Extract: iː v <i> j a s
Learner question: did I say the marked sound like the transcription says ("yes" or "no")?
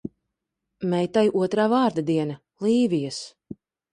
yes